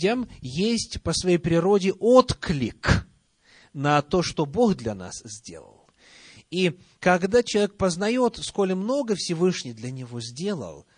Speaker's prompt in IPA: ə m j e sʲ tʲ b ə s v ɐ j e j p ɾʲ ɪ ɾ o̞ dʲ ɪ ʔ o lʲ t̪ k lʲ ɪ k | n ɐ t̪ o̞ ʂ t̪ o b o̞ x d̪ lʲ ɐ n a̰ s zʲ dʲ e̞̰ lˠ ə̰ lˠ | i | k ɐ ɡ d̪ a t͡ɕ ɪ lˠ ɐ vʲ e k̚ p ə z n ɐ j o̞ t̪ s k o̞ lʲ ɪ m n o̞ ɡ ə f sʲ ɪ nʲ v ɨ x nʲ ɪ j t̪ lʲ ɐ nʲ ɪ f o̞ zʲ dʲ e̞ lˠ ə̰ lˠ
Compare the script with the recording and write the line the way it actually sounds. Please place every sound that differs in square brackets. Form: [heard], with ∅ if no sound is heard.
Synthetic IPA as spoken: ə m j e sʲ tʲ [p] ə s v ɐ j e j p ɾʲ ɪ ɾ o̞ dʲ ɪ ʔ o [∅] t̪ k lʲ ɪ k | n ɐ t̪ o̞ ʂ t̪ o b o̞ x d̪ lʲ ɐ n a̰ s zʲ dʲ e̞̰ lˠ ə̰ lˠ | i | k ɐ ɡ d̪ a t͡ɕ ɪ lˠ ɐ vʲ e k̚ p ə z n ɐ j o̞ t̪ s k o̞ lʲ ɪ m n o̞ ɡ ə f sʲ ɪ [∅] v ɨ [ʂ] nʲ ɪ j [d̪] lʲ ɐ nʲ ɪ [v] o̞ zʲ dʲ e̞ lˠ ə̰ lˠ